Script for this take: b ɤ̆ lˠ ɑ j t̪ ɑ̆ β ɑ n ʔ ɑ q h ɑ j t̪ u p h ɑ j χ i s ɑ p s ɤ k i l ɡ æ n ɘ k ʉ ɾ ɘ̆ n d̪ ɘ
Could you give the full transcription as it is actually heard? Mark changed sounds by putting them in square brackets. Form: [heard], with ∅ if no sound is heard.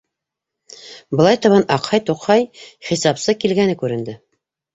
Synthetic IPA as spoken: b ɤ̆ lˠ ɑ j t̪ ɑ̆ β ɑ n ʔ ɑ q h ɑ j t̪ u [q] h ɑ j χ i s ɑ p s ɤ k i l ɡ æ n ɘ k ʉ ɾ ɘ̆ n d̪ ɘ